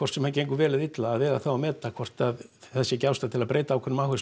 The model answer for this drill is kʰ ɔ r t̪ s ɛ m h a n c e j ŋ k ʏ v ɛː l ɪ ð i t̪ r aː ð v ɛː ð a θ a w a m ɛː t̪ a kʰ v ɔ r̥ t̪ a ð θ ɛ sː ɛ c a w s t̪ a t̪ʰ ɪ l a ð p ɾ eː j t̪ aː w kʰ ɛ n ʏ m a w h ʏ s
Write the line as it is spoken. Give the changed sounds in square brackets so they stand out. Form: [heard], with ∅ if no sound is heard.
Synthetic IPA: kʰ ɔ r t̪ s ɛ m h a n c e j ŋ k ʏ v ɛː l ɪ ð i t̪ [l] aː ð v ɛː ð a θ a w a m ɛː t̪ a kʰ v ɔ r̥ t̪ a ð θ ɛ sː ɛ c a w s t̪ a t̪ʰ ɪ l a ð p ɾ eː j t̪ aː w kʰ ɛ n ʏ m a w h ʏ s

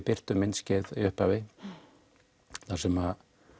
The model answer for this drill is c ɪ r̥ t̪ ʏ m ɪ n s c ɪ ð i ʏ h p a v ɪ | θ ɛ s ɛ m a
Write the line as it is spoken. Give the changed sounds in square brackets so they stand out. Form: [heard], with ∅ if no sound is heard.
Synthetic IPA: [p] ɪ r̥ t̪ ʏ m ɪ n s c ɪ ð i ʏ h p a v ɪ | θ [a] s ɛ m a

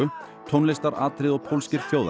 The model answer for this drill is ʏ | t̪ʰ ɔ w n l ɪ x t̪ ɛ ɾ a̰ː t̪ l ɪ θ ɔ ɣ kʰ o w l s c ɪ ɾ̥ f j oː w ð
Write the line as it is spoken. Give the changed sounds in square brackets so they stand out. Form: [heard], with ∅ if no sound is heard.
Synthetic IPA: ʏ | t̪ʰ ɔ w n l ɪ [s] t̪ [a] ɾ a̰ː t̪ [ɾ] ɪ [ð] ɔ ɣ [pʰ] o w l s c ɪ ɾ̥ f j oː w ð

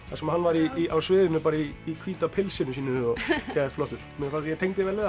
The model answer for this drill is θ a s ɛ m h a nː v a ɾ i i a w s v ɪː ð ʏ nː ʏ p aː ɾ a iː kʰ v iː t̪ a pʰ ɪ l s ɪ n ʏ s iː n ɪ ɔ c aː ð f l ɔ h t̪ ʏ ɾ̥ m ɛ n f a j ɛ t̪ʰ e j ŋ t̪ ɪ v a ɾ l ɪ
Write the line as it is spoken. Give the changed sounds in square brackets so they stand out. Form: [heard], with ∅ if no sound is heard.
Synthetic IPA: θ a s ɛ m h a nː v a ɾ i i a w s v ɪː ð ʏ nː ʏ p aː ɾ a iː kʰ v iː t̪ a pʰ ɪ l s ɪ n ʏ s iː n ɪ ɔ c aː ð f l ɔ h t̪ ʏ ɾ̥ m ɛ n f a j ɛ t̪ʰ e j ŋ t̪ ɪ v [ɛ] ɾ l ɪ

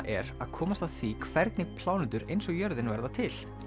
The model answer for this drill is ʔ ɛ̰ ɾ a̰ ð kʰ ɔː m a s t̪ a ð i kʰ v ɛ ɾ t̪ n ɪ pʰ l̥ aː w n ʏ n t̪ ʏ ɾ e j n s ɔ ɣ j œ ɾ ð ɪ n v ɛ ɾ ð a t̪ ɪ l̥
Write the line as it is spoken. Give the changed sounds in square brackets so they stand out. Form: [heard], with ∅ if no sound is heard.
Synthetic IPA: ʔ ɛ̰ ɾ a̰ ð kʰ ɔː m a s t̪ a [θ] i kʰ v ɛ ɾ t̪ n ɪ pʰ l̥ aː w n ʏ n t̪ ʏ ɾ e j n s ɔ ɣ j œ ɾ ð ɪ n v ɛ ɾ ð a [t̪ʰ] ɪ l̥

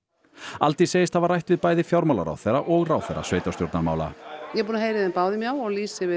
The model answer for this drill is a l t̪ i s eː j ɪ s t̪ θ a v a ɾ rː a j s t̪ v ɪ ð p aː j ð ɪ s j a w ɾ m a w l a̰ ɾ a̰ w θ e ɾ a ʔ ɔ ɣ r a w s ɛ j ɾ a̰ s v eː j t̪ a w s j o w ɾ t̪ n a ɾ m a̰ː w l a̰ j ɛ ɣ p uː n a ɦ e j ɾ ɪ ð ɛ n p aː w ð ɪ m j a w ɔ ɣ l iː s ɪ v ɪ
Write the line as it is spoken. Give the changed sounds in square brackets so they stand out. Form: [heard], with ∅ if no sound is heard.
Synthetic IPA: a l t̪ i s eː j ɪ s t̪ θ a v a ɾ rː a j [h] t̪ v ɪ ð p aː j ð ɪ [f] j a w ɾ m a w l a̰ ɾ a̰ w θ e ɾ a ʔ ɔ ɣ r a w [θ] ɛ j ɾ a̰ s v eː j t̪ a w s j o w ɾ t̪ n a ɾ m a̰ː w l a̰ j ɛ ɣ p uː n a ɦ e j ɾ ɪ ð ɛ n p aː w ð ɪ m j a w ɔ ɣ l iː s ɪ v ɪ

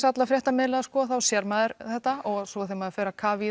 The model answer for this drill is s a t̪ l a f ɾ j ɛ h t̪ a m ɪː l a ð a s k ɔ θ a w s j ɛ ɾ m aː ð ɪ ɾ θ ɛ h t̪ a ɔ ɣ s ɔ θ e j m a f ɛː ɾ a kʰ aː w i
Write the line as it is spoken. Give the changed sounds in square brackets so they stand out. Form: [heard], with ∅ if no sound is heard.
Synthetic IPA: s a t̪ l a f ɾ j ɛ h t̪ a m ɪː l a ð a s k ɔ θ a w s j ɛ ɾ m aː ð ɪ ɾ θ ɛ h t̪ a ɔ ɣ s ɔ θ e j m a f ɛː ɾ a kʰ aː [v] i

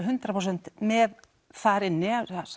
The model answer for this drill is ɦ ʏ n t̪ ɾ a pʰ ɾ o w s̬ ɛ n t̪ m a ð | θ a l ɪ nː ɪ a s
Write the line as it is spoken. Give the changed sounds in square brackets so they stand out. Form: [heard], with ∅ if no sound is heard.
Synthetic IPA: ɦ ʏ n t̪ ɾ a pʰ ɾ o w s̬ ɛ n t̪ m [ɛ] ð | θ a [ɾ] ɪ nː ɪ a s

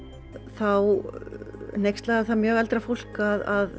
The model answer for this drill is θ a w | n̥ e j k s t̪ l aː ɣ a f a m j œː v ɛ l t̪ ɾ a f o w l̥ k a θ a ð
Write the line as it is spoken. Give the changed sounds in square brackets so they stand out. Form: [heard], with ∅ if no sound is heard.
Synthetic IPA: θ a w | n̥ e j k s t̪ l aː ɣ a [θ] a m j œː [ɣ] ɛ l t̪ ɾ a f o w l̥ k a [ð] a ð

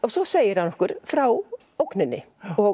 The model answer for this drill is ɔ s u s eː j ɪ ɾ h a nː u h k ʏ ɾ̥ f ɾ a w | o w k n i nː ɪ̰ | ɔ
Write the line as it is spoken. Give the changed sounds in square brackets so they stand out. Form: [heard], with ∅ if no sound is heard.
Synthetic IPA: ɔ s [ɔ] s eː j ɪ ɾ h a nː [ɔ] h k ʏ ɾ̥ f ɾ a w | o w k n [ɪ] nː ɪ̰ | ɔ

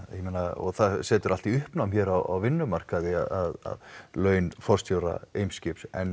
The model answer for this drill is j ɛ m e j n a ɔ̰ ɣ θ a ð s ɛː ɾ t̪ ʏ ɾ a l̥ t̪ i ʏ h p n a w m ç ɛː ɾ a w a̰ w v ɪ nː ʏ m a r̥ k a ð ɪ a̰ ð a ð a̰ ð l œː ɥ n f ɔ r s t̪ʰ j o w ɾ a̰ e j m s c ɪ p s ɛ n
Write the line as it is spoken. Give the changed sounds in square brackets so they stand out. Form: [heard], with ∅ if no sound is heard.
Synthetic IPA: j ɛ m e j n a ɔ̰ ɣ θ a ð s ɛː [∅] t̪ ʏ ɾ a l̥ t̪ i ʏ h p n a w m ç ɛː ɾ a w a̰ w v ɪ nː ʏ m a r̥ k a ð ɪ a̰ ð a ð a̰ ð l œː ɥ n f ɔ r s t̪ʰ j o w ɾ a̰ e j m s c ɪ p s ɛ n

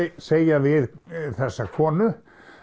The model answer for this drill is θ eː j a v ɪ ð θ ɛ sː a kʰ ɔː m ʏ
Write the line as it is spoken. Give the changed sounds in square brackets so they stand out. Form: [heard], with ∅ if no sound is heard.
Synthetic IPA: [s] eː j a v ɪ ð θ ɛ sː a kʰ ɔː [n] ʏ

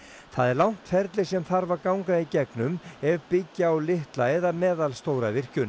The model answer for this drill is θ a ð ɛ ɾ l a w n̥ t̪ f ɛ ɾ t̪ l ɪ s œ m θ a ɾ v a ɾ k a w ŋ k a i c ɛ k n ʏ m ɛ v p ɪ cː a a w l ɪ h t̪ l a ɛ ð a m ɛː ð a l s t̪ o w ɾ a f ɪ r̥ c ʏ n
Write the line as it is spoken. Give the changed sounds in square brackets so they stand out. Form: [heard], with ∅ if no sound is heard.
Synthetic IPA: θ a ð ɛ ɾ l a w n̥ t̪ f ɛ ɾ t̪ l ɪ s [ɛ] m θ a ɾ v a ɾ k a w ŋ k a i c ɛ k n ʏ m ɛ v p ɪ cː a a w l ɪ h t̪ l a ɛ ð a m ɛː ð a l s t̪ o w ɾ a [v] ɪ r̥ c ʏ n

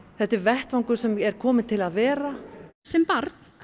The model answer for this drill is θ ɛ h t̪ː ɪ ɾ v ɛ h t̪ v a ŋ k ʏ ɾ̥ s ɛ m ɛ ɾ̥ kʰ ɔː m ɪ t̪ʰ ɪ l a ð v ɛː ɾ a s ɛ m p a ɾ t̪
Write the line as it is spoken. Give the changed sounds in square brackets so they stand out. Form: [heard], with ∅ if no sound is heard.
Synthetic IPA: θ ɛ h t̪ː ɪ ɾ v ɛ h t̪ v a ŋ k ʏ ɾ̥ s ɛ m ɛ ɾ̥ kʰ ɔː m ɪ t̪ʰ ɪ l a ð v ɛː ɾ a s ɛ m p a ɾ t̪

